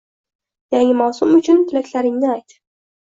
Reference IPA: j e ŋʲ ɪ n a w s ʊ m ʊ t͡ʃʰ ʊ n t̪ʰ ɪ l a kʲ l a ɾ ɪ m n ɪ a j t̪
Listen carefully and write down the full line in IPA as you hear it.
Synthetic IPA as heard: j a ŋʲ ɪ m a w s ʊ m ʊ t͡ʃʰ ʊ n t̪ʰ ɪ l a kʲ l a ɾ ɪ ŋ n ɪ a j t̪